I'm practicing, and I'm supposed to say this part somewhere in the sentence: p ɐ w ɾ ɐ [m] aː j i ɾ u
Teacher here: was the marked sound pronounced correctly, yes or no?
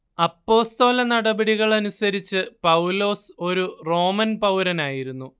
no